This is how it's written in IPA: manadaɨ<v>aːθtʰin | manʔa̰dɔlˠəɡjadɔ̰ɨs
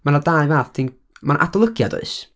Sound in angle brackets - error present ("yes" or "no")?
no